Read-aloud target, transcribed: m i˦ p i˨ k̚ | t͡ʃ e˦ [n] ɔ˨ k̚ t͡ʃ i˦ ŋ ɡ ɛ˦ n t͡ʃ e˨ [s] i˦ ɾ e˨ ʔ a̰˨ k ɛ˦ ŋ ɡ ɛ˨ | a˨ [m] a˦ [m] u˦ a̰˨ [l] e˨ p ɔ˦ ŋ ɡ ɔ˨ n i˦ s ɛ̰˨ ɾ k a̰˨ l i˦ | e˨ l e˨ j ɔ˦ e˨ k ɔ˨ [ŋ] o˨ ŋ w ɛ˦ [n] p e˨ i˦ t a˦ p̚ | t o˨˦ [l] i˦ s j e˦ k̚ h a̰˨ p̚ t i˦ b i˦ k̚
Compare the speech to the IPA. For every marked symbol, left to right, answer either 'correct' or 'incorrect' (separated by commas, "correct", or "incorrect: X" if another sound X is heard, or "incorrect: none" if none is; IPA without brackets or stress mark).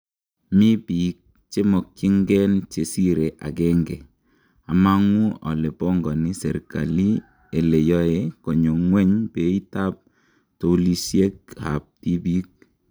incorrect: m, correct, correct, incorrect: ŋ, correct, incorrect: ɲ, incorrect: ɲ, correct